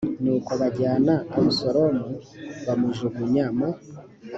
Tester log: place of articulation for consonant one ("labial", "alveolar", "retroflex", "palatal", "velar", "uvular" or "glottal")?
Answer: alveolar